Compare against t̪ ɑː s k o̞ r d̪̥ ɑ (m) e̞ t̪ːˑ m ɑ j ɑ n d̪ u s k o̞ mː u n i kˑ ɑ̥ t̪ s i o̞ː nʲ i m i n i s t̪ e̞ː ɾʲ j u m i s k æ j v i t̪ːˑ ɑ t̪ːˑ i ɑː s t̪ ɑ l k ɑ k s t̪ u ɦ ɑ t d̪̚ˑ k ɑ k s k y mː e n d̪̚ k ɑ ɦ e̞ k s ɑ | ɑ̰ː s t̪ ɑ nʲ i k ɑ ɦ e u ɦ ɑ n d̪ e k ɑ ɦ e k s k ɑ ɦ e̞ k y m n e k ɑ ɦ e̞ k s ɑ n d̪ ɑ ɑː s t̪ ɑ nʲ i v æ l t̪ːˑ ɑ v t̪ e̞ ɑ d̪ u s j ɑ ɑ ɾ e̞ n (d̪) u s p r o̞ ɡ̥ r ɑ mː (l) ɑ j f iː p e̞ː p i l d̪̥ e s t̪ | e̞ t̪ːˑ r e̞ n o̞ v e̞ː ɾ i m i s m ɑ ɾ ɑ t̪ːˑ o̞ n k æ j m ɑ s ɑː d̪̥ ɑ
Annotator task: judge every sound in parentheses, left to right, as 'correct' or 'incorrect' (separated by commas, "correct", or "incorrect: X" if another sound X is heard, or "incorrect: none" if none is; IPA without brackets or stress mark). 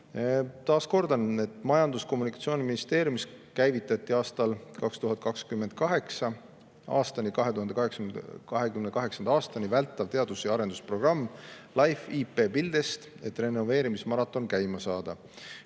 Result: incorrect: n, correct, correct